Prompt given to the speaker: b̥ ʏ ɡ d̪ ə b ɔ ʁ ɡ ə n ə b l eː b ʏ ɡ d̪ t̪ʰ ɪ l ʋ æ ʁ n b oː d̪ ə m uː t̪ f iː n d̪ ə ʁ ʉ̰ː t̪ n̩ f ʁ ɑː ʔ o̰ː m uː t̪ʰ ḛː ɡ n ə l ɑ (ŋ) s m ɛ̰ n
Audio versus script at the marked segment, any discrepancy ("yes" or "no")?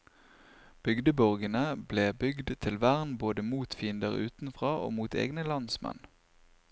yes